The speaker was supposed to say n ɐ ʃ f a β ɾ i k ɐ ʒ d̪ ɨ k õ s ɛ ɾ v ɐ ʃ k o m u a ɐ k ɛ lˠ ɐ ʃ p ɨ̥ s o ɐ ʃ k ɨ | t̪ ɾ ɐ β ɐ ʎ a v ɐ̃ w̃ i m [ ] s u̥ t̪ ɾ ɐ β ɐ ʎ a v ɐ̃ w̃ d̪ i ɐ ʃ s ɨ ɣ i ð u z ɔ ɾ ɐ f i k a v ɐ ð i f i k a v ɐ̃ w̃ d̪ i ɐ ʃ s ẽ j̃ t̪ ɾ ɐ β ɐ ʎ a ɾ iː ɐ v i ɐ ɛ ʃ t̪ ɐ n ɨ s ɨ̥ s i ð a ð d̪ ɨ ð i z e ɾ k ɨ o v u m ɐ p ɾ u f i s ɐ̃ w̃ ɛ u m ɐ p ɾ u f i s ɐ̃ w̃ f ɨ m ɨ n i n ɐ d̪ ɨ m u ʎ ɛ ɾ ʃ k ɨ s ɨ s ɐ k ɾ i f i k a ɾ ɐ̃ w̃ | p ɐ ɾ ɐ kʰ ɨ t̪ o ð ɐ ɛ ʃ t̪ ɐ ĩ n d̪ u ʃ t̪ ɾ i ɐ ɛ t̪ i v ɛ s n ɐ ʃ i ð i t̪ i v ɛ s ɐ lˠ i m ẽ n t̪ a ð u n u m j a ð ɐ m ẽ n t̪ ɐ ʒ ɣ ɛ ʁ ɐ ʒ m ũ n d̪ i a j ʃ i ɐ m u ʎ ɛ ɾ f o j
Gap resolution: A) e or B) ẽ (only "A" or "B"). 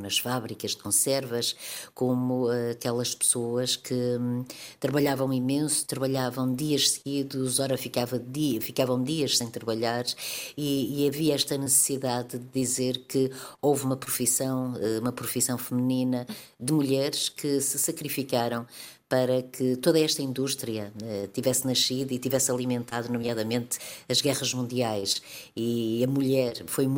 B